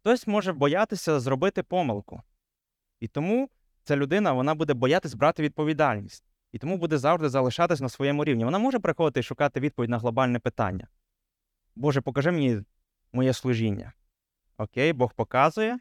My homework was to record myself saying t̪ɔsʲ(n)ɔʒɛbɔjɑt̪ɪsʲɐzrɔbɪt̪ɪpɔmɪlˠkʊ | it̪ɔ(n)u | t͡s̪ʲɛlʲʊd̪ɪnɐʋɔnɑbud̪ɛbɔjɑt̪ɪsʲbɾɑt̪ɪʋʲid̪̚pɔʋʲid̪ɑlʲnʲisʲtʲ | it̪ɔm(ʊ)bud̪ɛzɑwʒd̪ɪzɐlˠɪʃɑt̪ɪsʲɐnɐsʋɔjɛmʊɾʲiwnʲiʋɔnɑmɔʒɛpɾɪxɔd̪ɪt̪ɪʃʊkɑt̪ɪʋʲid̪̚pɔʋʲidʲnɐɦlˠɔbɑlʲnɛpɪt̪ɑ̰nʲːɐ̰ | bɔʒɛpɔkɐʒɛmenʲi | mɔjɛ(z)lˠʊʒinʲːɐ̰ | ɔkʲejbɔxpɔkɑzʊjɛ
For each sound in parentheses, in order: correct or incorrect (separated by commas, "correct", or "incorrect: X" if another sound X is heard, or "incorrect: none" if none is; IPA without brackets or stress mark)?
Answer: incorrect: m, incorrect: m, incorrect: u, incorrect: s